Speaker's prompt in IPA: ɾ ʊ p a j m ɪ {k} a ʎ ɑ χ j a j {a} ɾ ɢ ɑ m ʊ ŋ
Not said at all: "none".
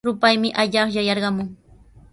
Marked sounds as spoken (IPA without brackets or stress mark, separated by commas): ʔ, ɑ